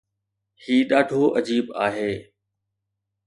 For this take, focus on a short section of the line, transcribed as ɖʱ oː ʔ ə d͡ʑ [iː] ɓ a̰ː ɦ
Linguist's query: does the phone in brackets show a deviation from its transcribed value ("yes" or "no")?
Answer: no